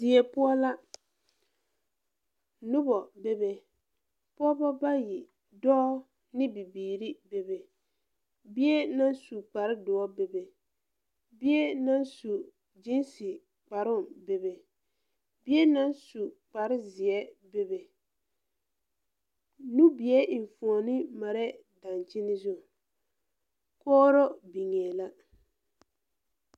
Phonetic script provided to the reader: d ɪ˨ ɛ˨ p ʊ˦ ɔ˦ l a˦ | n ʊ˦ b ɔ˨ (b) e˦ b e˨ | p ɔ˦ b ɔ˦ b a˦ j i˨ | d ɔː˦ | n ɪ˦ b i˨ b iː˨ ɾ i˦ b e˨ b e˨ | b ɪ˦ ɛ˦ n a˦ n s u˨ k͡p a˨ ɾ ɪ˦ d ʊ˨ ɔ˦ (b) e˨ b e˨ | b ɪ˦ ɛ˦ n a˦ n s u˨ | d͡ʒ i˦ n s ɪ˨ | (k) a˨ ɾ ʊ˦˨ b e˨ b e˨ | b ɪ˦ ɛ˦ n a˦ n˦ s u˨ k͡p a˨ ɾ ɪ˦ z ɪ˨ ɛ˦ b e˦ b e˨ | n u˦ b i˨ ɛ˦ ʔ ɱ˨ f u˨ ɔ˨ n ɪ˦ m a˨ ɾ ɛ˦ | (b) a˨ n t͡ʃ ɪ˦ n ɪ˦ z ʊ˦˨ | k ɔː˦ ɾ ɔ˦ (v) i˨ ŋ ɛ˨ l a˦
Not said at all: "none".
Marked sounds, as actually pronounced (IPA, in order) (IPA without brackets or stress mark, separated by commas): b, b, k͡p, d, b